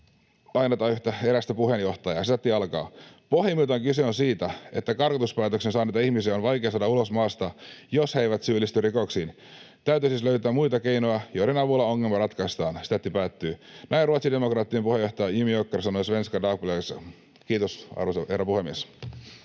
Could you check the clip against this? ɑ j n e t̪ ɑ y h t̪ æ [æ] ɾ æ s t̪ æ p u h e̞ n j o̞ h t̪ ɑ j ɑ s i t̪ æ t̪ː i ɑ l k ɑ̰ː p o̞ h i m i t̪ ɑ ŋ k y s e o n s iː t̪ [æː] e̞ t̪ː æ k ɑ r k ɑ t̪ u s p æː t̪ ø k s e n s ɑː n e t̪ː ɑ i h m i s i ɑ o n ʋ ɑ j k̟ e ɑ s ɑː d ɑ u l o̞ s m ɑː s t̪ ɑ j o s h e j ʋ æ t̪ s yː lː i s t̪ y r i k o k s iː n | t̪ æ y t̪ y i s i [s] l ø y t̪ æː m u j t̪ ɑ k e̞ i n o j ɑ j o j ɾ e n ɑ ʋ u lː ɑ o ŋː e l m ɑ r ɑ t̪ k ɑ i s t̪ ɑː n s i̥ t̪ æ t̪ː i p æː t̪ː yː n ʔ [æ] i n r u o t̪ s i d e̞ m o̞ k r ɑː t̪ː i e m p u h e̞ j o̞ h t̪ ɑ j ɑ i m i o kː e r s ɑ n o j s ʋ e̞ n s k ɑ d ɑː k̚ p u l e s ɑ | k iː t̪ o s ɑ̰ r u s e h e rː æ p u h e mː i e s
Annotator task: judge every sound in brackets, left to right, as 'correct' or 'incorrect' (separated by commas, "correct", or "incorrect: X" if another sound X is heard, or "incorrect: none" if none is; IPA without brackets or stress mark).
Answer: incorrect: e, incorrect: æ, correct, correct